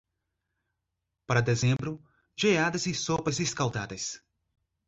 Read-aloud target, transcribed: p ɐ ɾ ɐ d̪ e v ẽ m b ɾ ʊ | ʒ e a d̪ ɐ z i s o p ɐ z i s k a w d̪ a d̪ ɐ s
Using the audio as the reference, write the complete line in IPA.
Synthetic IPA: p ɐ ɾ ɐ d̪ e z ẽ m b ɾ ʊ | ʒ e a d̪ ɐ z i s o p ɐ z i s k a w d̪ a d̪ ɐ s